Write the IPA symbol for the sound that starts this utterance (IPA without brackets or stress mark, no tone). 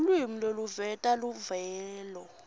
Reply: l